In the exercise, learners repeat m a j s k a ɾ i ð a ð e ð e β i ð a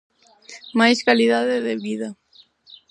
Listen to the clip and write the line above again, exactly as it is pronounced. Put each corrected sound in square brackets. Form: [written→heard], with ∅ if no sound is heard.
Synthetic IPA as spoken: m a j s k a [ɾ→l] i ð a ð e ð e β i ð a